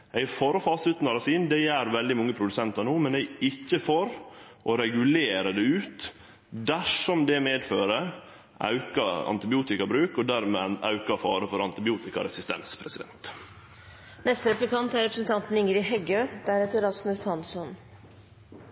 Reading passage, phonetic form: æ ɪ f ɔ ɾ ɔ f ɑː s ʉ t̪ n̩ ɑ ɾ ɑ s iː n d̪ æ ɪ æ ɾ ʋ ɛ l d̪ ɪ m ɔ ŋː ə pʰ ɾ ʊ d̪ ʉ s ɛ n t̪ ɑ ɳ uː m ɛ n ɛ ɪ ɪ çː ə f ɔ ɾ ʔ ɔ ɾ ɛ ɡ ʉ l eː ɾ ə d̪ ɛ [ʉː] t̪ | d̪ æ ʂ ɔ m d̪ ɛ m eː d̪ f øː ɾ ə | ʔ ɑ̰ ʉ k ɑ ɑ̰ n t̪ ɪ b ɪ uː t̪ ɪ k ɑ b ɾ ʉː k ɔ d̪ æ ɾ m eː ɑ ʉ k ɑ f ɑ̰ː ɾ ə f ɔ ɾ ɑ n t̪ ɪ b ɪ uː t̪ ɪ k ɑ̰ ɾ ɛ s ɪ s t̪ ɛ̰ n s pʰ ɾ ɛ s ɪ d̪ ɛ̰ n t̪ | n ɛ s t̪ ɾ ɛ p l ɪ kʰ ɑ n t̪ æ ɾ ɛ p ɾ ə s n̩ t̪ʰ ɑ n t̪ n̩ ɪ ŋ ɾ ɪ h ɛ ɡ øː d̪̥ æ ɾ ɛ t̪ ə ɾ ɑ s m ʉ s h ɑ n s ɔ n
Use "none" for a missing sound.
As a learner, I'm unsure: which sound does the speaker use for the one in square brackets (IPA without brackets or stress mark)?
ʉː